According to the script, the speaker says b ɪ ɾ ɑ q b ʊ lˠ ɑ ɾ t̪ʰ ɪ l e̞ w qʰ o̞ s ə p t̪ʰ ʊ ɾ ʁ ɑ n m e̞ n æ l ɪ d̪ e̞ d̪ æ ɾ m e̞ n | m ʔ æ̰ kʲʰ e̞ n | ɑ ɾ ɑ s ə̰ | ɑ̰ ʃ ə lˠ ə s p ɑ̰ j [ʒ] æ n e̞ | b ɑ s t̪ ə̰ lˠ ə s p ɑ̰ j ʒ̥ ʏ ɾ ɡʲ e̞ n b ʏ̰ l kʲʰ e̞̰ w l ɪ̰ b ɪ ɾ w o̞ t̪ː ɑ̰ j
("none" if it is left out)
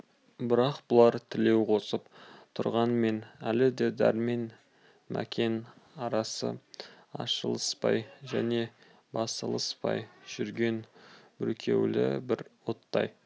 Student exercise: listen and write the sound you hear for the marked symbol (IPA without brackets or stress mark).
ʒ